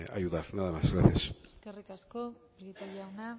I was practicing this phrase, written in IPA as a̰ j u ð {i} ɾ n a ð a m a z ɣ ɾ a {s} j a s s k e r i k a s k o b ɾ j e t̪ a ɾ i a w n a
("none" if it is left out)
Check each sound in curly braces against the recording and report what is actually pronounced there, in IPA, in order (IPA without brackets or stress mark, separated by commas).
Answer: a, θ